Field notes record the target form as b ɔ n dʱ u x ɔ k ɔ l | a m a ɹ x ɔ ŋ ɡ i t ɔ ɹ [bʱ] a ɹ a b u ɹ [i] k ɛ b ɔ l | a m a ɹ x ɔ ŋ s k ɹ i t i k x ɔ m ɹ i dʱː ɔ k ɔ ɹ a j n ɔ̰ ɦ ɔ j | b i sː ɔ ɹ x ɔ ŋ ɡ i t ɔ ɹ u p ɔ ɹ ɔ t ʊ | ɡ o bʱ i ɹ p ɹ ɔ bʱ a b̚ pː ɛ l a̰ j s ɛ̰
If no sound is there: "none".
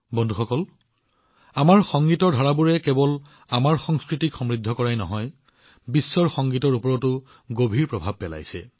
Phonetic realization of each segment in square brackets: dʱ, ɛ

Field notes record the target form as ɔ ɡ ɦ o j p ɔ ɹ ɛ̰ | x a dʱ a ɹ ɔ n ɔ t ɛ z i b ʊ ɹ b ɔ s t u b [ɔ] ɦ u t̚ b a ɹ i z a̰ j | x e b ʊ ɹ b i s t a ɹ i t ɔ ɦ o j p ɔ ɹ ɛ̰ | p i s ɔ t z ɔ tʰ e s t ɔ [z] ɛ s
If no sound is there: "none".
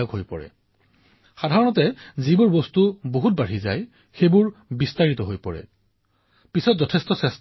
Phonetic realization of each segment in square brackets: o, s

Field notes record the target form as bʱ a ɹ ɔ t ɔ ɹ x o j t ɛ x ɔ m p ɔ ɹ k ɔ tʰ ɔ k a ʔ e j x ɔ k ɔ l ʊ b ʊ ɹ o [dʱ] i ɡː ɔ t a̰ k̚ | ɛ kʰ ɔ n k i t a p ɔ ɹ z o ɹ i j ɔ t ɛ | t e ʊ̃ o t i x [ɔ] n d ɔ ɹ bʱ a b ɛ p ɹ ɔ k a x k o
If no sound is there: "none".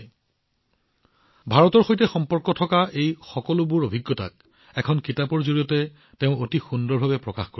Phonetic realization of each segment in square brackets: bʱ, u

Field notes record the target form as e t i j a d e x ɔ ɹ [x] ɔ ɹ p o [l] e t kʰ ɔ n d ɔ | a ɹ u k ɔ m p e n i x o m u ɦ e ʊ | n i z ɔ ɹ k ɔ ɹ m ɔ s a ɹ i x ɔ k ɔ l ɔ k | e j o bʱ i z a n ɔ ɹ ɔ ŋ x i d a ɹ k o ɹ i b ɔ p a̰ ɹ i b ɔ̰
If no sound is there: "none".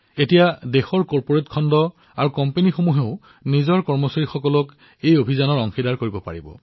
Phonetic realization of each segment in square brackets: k, ɹ

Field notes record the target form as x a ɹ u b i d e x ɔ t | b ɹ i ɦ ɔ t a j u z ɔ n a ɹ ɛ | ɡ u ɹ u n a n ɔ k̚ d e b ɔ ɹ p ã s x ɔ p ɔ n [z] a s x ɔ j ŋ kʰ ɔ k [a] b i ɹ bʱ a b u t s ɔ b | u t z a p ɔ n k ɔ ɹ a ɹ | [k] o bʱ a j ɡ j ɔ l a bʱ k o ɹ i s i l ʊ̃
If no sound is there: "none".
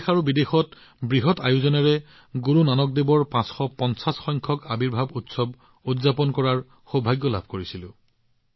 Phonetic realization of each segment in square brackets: s, a, x

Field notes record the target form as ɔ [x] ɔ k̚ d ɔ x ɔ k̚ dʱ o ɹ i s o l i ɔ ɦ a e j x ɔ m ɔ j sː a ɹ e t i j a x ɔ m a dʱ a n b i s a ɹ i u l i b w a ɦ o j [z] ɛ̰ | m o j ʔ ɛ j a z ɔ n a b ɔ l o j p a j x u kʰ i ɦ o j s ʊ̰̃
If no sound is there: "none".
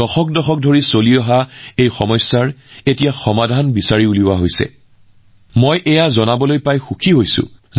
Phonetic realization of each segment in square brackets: x, s

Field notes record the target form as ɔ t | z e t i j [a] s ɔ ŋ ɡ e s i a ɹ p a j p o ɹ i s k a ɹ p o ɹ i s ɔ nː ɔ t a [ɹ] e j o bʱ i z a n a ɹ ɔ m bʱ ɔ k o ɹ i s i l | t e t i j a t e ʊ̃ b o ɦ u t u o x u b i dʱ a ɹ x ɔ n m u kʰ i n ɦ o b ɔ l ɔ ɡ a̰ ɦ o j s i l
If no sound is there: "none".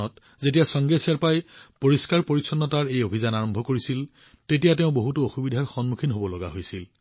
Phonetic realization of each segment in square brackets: a, ɹ

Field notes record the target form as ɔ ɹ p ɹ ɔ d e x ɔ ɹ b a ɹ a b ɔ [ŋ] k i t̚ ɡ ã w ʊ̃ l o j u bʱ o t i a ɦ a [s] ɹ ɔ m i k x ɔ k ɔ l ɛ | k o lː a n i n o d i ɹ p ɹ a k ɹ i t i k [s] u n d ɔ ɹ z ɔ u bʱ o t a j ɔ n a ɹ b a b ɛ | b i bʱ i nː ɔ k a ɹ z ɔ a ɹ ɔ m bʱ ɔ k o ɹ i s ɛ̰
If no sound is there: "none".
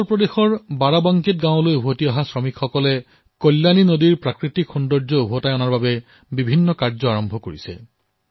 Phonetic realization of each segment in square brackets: ŋ, s, x

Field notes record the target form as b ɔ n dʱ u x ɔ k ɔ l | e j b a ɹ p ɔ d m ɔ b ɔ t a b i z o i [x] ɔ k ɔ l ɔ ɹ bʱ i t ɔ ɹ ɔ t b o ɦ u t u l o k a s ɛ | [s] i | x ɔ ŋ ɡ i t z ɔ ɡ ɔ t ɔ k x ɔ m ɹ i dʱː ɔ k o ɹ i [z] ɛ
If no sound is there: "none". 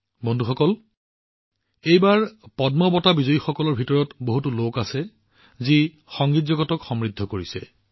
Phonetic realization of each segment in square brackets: x, z, s

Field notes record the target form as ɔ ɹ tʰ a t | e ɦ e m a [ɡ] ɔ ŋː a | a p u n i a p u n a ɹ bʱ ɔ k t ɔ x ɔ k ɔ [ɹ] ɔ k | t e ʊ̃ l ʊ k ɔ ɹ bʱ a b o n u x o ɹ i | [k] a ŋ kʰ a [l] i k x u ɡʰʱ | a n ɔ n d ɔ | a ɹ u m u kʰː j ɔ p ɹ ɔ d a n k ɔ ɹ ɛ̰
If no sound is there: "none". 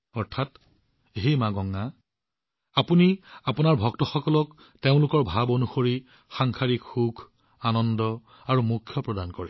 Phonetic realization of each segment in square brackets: ɡ, l, x, ɹ

